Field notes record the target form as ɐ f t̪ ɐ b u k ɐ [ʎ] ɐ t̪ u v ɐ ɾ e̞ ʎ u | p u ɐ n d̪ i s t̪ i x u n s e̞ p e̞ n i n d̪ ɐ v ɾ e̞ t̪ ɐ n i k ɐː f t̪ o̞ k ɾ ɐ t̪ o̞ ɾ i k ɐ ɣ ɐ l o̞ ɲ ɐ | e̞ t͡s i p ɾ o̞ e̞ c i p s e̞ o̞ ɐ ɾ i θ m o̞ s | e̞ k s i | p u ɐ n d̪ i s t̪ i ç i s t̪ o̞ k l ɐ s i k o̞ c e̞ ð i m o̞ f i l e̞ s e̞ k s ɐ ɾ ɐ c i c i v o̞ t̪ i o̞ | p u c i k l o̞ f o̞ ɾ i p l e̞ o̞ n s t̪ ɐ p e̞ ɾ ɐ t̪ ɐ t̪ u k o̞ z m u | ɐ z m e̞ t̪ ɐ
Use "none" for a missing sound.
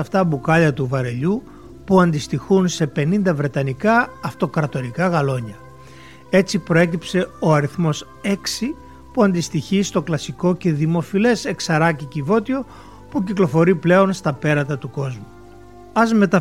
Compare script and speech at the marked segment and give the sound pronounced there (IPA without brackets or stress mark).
ʎ